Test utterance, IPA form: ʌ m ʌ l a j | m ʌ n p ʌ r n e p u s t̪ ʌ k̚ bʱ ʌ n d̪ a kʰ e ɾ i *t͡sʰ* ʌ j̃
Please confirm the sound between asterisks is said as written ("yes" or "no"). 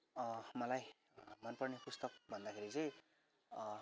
no